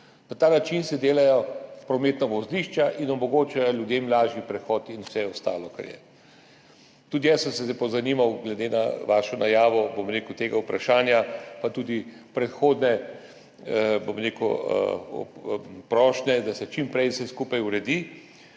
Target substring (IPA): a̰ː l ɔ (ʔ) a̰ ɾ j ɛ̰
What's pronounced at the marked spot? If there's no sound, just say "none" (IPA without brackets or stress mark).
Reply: k